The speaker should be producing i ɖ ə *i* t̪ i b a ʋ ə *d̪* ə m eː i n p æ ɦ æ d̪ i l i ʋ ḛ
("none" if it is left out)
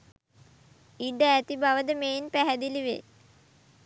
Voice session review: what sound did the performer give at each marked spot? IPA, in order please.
æ, d̪

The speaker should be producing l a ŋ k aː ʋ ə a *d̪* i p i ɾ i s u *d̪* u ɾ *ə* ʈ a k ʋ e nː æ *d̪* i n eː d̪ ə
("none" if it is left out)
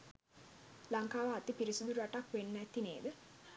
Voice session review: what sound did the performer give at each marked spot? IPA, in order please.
t̪, d̪, a, t̪

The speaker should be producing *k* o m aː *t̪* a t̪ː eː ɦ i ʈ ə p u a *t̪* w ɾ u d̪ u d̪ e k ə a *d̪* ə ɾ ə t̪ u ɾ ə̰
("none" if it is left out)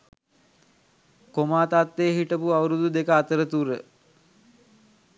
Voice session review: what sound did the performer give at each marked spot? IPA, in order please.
k, t̪, none, t̪

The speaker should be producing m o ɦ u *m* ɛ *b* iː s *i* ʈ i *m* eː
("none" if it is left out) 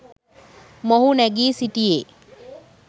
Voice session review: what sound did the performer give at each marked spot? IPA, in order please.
n, ɡ, i, none

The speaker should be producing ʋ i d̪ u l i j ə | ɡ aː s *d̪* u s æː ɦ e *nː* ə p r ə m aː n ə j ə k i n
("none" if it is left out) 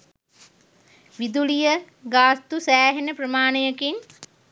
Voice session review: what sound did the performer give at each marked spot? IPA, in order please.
t̪, n

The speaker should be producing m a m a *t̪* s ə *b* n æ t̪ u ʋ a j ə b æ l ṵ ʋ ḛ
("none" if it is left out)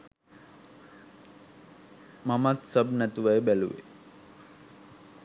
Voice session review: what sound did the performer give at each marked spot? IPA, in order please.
t̪, b

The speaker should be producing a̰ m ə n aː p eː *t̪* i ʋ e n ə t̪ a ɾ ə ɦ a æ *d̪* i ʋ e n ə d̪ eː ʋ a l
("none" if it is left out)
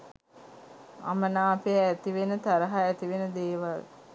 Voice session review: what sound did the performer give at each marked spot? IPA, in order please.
t̪, t̪

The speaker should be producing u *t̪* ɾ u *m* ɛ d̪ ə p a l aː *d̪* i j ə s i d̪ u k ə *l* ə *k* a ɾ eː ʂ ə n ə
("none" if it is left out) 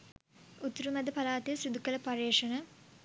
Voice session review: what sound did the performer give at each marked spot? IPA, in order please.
t̪, m, t̪, l, p

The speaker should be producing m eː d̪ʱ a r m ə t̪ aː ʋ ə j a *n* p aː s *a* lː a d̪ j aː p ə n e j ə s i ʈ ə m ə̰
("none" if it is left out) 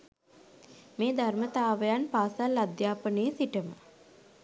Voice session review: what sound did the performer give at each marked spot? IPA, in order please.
n, a

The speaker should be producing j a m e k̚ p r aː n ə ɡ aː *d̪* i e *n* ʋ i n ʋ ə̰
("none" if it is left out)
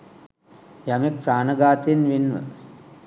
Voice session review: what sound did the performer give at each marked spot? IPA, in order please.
t̪, n

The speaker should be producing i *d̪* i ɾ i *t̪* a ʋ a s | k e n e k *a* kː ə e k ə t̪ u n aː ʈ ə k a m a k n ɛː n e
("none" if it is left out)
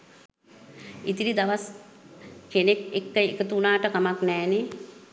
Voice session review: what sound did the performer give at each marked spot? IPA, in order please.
t̪, d̪, e

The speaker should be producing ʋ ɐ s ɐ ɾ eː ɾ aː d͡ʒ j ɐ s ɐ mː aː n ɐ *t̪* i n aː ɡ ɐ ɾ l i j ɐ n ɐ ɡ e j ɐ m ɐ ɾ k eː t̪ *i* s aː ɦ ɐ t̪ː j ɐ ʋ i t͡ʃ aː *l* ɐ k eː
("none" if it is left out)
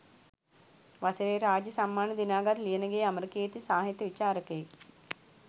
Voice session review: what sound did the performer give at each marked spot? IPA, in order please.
d̪, i, ɾ

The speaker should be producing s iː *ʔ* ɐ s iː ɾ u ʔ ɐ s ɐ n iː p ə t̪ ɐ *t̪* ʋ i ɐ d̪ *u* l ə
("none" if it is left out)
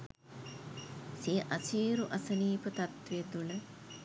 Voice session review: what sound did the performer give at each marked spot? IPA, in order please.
ʔ, t̪, u

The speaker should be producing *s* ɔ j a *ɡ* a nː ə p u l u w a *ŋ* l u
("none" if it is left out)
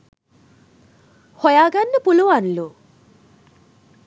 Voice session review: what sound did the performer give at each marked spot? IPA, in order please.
h, ɡ, n

